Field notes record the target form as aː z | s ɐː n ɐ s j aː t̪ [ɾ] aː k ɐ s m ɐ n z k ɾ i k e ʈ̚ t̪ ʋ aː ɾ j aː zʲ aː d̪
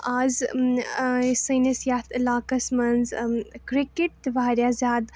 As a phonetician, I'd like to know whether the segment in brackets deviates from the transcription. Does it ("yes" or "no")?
yes